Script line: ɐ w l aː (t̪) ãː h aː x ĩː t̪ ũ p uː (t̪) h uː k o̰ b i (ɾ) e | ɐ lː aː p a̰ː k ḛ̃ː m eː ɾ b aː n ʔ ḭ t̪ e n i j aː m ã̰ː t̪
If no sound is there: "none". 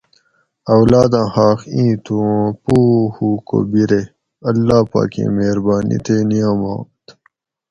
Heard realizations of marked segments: d̪, none, ɾ

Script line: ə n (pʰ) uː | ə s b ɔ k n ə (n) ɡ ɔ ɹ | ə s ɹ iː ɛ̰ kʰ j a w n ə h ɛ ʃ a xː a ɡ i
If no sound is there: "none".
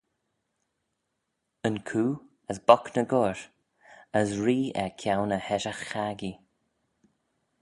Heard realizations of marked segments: kʰ, none

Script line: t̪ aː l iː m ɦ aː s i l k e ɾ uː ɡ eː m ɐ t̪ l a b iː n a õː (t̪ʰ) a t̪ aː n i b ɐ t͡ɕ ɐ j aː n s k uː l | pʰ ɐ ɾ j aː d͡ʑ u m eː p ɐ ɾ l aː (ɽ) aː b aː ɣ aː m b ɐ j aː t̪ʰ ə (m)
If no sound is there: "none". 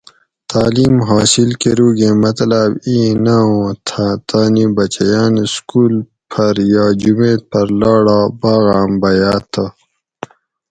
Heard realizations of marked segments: t̪ʰ, ɽ, none

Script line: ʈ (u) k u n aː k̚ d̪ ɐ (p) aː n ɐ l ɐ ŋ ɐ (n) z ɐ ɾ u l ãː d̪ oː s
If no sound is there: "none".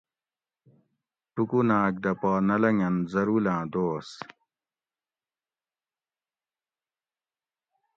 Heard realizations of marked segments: u, p, n

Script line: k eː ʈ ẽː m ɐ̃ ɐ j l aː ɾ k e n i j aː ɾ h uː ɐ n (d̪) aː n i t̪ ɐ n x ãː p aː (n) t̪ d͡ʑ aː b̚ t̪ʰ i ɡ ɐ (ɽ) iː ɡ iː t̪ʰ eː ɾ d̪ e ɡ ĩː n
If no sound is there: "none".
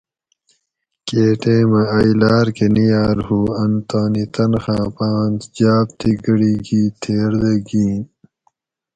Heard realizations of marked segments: t̪, n, ɽ

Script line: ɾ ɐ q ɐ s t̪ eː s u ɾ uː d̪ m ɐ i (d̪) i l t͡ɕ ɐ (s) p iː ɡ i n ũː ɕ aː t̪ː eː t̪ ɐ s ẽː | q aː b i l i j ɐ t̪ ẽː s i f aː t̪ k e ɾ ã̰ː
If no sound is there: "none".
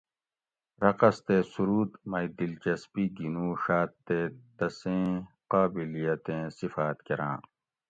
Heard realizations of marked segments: d̪, s

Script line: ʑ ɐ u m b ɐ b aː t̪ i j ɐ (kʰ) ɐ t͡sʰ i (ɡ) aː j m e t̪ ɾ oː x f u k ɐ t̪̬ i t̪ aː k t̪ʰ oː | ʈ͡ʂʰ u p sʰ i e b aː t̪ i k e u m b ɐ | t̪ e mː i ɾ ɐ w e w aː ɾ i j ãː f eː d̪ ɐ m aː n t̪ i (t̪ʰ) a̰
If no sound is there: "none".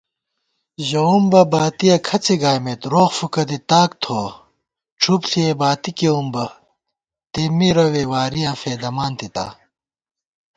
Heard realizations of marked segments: kʰ, ɡ, t̪

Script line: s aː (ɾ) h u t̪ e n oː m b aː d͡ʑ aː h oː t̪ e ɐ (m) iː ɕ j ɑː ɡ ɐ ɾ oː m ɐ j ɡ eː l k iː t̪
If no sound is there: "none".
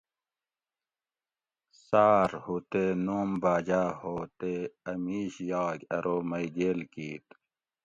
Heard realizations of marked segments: ɾ, m

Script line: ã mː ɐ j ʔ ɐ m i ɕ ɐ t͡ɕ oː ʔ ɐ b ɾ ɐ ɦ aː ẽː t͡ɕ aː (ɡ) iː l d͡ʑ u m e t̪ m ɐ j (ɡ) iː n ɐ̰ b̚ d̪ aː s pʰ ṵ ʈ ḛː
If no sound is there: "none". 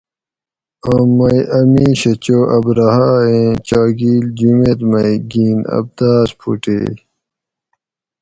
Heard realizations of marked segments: ɡ, ɡ

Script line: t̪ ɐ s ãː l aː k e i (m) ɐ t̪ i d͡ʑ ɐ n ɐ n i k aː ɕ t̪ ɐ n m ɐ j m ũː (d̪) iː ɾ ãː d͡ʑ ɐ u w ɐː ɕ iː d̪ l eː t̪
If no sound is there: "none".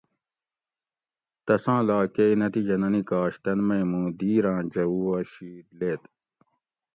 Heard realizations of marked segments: n, d̪

